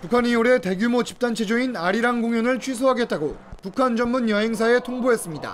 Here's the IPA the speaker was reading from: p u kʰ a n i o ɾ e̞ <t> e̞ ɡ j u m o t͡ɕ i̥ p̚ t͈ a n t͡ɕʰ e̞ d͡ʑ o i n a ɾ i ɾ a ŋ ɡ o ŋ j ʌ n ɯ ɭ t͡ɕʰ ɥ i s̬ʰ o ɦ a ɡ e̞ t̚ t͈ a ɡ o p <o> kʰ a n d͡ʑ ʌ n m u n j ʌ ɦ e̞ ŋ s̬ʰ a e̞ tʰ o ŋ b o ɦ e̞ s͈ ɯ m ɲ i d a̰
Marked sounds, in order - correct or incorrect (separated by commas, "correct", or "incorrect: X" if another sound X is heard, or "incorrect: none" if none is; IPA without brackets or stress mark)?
correct, incorrect: u